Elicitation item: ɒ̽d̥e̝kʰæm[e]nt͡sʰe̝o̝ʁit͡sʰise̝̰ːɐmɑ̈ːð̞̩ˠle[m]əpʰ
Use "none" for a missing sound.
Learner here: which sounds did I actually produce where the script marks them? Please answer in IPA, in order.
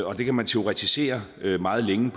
æ, ŋ

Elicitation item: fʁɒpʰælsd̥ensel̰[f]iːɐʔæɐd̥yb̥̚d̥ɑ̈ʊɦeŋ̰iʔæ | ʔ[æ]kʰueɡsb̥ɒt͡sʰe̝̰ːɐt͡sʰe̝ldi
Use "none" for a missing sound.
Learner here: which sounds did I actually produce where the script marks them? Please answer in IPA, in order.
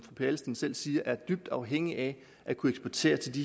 s, æ

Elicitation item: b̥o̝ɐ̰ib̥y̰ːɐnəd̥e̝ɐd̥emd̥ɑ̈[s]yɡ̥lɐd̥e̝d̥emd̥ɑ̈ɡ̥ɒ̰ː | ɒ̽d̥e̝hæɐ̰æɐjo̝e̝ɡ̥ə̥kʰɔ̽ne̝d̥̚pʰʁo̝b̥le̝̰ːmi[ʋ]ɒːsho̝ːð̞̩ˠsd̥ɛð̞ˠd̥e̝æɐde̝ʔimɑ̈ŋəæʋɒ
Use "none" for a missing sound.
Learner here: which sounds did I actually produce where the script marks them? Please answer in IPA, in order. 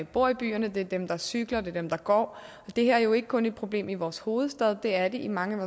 s, ʋ

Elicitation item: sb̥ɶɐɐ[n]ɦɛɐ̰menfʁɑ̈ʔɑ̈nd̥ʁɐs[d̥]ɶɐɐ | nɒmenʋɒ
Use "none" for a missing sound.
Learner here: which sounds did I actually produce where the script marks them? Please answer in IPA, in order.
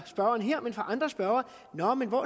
n, b̥

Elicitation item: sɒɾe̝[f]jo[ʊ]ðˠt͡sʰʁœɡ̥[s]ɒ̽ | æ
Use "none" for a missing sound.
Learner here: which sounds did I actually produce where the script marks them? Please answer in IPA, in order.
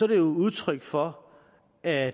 none, u, f

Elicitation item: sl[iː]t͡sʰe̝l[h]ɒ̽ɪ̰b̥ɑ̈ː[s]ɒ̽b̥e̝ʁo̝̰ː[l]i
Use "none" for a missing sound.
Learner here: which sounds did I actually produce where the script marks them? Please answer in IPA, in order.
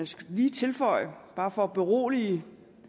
iː, f, f, l

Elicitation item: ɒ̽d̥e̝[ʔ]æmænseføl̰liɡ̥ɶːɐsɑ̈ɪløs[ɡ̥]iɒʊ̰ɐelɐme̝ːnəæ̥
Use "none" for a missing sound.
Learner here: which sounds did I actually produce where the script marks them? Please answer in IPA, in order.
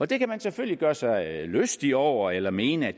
k, d̥

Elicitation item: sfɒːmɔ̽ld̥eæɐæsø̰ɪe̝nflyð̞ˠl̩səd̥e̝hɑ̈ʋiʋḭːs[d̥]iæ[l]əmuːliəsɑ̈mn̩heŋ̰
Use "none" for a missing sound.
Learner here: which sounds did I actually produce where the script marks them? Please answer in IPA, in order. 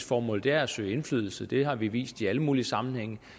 d̥, l

